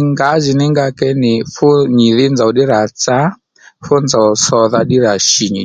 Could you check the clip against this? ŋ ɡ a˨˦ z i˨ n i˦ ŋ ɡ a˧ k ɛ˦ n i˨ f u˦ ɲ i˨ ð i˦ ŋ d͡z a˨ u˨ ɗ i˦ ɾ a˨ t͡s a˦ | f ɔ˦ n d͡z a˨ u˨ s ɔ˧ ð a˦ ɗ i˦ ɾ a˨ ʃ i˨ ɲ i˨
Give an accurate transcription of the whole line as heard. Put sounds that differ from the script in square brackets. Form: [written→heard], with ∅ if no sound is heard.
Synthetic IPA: ŋ ɡ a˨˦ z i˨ n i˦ ŋ ɡ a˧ k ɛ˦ n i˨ f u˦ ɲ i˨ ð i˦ [ŋ→n] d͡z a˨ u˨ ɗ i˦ ɾ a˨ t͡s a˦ | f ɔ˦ n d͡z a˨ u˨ s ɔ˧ ð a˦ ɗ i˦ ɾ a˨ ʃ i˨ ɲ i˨